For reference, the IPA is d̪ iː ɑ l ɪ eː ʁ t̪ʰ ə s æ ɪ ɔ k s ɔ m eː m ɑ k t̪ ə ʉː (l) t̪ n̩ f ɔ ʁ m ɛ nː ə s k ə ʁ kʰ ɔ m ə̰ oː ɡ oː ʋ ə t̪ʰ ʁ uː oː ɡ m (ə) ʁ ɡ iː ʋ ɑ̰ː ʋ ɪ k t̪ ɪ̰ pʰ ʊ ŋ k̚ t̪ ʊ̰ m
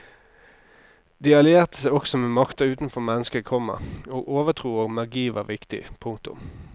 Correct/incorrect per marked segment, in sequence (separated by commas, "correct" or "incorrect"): incorrect, incorrect